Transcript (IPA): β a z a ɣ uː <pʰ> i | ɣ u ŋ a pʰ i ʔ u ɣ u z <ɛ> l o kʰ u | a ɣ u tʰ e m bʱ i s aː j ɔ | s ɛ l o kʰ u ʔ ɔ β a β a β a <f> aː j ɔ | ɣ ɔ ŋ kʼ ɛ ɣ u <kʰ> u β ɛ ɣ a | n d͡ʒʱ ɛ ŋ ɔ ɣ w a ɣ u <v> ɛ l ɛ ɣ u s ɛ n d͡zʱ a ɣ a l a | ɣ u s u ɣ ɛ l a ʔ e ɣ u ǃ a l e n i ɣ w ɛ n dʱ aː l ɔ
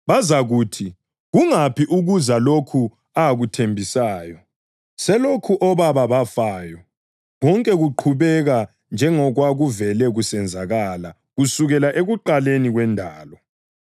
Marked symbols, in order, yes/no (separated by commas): no, no, yes, no, yes